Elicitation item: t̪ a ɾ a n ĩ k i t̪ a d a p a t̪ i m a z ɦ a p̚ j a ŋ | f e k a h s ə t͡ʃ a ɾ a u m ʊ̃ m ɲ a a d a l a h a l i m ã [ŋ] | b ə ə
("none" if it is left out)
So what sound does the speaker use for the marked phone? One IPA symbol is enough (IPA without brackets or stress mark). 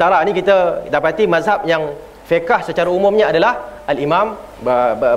m